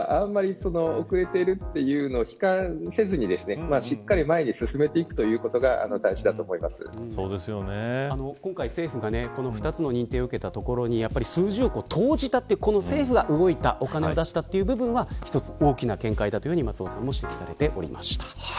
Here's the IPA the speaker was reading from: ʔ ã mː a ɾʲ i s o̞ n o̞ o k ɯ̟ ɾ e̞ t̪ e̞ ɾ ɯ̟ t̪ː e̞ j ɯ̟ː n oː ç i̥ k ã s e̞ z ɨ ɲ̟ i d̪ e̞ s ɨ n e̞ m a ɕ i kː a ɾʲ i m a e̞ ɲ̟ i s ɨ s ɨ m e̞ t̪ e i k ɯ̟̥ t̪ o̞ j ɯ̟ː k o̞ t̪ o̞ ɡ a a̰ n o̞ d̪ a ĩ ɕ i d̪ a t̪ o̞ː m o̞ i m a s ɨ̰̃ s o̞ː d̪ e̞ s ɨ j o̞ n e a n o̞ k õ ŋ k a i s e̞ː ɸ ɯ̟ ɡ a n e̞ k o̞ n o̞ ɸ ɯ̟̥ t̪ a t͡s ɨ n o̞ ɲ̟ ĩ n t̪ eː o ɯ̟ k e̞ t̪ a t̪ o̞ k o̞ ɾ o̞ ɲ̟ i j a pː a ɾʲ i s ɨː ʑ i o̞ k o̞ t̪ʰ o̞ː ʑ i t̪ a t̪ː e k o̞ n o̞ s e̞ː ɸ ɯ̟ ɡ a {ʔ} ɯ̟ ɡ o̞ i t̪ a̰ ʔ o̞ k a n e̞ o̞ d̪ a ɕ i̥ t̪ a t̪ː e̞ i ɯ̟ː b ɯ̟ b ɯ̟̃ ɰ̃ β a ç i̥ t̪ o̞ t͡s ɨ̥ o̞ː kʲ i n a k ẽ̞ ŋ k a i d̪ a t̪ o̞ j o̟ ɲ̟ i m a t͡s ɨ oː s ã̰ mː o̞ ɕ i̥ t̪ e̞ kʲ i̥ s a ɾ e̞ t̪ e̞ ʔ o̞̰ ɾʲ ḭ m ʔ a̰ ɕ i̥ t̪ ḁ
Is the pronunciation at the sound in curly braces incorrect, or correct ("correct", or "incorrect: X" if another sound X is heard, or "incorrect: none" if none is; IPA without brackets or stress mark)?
correct